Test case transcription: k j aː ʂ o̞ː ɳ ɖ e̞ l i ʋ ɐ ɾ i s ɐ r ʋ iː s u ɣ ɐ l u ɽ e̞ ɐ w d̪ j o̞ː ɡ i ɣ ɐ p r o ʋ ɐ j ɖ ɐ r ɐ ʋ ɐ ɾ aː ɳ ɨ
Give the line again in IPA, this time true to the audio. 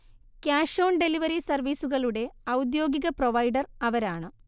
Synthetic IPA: k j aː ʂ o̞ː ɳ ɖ e̞ l i ʋ ɐ ɾ i s ɐ r ʋ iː s u ɣ ɐ ɭ u ɽ e̞ ɐ w d̪ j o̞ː ɡ i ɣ ɐ p r o ʋ ɐ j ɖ ɐ r ɐ ʋ ɐ ɾ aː ɳ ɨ